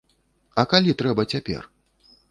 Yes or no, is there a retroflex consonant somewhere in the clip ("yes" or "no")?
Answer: no